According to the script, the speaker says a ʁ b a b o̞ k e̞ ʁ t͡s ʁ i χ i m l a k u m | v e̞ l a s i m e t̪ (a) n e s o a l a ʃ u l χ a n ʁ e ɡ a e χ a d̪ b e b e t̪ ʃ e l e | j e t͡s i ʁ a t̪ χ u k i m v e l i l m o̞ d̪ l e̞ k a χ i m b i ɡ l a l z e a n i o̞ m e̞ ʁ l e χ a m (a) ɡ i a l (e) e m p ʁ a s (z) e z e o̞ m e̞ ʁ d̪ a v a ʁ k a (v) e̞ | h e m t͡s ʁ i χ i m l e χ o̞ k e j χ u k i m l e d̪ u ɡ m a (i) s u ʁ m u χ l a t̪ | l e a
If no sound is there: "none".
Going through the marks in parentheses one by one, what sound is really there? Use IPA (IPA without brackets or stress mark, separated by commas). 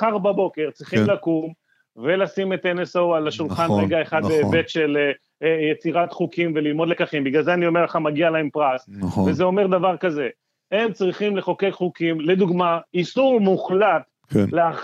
e, a, a, v, z, i